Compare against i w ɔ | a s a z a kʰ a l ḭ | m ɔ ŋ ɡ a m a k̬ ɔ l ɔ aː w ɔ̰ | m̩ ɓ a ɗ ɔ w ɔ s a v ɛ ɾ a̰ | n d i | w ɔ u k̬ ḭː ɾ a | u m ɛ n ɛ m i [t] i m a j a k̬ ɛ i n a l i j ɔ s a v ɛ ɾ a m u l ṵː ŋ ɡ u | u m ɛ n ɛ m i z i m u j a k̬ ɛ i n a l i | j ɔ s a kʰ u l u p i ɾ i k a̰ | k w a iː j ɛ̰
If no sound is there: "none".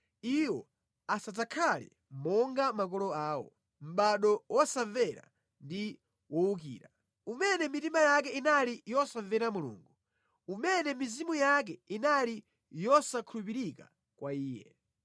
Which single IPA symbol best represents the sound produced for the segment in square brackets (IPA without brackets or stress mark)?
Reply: t